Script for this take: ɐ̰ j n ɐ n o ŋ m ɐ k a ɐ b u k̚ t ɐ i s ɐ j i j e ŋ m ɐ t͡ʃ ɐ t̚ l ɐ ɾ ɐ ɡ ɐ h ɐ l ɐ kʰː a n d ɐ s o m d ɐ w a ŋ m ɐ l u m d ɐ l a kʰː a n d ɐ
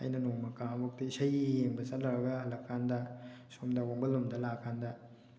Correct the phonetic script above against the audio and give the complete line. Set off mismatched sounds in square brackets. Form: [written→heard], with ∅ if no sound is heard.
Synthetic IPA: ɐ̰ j n ɐ n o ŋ m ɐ k a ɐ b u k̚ t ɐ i s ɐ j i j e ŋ [m→b] ɐ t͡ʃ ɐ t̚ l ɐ ɾ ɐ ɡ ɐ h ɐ l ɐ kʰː a n d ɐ s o m d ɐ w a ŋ [m→b] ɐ l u m d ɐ l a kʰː a n d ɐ